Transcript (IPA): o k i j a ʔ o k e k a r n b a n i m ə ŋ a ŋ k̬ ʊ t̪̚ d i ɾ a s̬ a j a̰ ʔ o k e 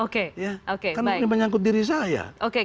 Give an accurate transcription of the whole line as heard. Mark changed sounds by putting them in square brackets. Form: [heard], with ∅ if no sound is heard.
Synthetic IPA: o k [e] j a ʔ o k e k a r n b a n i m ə [ɲ] a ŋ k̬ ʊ t̪̚ d i ɾ [i] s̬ a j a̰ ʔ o k e